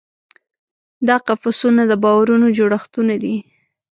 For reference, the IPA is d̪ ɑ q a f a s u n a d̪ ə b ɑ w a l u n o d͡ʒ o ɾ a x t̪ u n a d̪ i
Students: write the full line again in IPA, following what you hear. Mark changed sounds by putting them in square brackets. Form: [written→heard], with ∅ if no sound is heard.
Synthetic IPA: d̪ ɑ q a f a s u n a d̪ ə b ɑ w a [l→ɾ] u n o d͡ʒ o [ɾ→ɽ] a x t̪ u n a d̪ i